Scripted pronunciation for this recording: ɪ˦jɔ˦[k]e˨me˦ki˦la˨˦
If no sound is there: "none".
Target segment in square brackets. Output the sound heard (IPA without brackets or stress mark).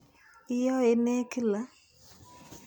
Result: none